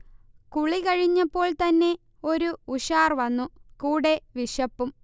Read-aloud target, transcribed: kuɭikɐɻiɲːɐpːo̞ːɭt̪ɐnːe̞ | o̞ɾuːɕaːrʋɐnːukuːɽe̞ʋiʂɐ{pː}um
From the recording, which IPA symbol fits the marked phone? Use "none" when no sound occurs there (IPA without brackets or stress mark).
pː